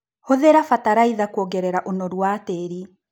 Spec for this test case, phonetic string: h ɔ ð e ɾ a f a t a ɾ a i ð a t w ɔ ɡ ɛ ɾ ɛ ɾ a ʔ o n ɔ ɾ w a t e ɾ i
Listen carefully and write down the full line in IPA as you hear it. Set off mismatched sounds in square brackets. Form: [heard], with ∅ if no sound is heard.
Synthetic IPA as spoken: h [o] ð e ɾ a f a t a ɾ a i ð a [k] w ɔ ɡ ɛ ɾ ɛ ɾ a ʔ o n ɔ ɾ w a t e ɾ i